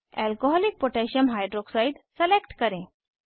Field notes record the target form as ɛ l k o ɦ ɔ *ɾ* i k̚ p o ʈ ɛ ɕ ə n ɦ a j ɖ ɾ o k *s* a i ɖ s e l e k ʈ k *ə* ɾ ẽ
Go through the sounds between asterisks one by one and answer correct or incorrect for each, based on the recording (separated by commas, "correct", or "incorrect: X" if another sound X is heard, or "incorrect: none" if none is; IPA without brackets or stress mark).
incorrect: l, correct, correct